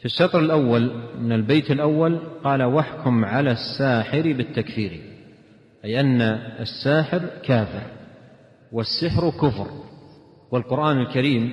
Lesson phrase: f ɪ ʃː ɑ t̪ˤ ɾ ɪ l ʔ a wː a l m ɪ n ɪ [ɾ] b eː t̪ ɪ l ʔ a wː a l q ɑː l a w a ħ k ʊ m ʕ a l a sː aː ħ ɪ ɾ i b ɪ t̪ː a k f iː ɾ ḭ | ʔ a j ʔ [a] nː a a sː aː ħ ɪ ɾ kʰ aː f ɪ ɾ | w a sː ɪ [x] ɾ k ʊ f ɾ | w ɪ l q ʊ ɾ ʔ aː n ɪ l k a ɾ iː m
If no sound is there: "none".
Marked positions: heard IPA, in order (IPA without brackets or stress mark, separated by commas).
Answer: l, a, ħ